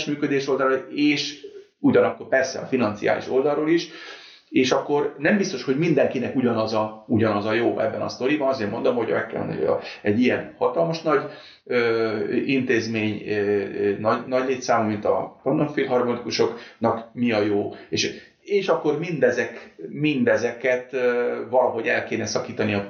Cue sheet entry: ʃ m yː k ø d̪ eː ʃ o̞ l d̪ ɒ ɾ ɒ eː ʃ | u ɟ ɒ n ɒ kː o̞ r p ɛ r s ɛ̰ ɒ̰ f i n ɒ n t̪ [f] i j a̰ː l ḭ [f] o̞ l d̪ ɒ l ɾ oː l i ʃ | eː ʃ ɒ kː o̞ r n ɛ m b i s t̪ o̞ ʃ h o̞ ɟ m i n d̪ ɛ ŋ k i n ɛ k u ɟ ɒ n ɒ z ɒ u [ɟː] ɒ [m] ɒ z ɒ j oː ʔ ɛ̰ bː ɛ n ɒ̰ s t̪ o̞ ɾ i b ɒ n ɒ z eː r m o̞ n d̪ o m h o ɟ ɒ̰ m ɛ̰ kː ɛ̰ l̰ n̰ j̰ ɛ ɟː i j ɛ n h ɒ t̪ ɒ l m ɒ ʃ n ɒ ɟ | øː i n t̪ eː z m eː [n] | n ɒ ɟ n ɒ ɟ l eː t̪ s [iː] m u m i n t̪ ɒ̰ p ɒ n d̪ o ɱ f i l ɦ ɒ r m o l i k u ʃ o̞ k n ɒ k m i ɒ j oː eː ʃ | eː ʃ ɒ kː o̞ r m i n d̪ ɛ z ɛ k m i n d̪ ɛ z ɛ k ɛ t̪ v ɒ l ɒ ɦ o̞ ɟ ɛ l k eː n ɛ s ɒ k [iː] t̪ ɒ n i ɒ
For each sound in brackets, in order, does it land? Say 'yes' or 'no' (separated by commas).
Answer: no, no, no, no, no, no, yes